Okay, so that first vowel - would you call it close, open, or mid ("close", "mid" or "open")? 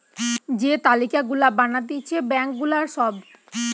mid